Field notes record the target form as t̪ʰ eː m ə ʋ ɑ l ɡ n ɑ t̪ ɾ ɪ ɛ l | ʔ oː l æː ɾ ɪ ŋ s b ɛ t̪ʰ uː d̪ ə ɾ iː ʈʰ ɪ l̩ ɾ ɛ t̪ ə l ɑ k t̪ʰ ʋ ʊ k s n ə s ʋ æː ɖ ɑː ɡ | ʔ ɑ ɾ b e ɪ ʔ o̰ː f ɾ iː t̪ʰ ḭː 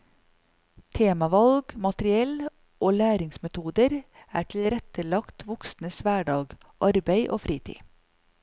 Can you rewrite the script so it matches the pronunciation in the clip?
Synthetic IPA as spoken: t̪ʰ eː m ɑ ʋ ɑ l ɡ m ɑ t̪ ɾ ɪ ɛ l | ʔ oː l æː ɾ ɪ ŋ s m ɛ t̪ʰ uː d̪ ə ɾ æː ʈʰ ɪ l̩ ɾ ɛ t̪ ə l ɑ k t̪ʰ ʋ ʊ k s n ə s ʋ æː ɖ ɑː ɡ | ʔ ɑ ɾ b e ɪ ʔ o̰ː f ɾ iː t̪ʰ ḭː